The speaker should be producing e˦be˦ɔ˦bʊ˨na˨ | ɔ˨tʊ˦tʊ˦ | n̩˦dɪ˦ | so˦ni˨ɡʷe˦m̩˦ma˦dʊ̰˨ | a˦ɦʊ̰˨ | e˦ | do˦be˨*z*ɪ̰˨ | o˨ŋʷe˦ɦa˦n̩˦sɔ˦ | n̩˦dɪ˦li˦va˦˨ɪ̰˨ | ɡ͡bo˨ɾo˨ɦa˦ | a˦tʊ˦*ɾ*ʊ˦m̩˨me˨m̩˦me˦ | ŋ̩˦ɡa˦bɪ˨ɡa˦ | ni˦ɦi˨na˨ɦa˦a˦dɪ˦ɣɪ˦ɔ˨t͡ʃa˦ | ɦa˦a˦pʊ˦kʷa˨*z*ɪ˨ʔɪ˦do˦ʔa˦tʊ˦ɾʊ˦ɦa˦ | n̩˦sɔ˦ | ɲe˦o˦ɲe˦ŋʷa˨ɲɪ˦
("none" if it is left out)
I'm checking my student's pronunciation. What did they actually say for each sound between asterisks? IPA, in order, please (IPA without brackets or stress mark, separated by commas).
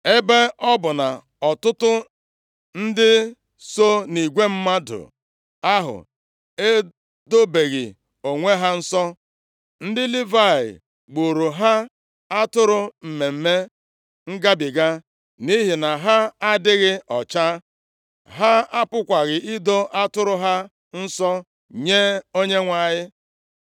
ɣ, ɾ, ɣ